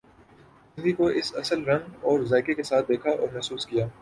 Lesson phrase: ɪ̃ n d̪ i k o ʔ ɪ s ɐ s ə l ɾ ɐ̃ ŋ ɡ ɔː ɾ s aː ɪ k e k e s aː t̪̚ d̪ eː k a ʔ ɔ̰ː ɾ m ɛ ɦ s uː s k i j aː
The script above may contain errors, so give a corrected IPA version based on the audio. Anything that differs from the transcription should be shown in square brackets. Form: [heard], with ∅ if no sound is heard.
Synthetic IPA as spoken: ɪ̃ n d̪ i k o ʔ ɪ s ɐ s ə l ɾ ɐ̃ ŋ ɡ ɔː ɾ [z] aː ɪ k e k e s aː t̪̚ d̪ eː [kʰ] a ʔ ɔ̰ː ɾ m ɛ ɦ s uː s k i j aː